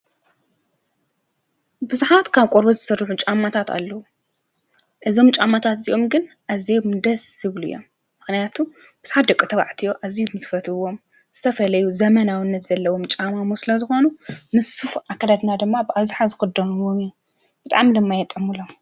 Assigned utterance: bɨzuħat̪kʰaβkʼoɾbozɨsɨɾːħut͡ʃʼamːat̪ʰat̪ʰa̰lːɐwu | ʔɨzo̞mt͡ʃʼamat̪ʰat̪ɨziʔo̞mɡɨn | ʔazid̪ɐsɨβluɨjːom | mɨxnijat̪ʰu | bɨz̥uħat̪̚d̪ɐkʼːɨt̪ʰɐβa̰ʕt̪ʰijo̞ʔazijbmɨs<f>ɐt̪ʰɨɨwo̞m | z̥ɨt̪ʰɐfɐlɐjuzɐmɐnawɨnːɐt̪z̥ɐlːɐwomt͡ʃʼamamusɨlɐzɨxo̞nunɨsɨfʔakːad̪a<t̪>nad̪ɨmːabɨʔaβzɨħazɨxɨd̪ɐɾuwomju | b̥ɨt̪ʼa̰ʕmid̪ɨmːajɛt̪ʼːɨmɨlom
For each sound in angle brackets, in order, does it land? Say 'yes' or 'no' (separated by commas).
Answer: yes, no